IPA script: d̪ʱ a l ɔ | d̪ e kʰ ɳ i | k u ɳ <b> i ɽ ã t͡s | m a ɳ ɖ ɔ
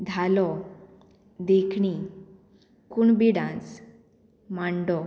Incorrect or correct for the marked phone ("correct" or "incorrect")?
correct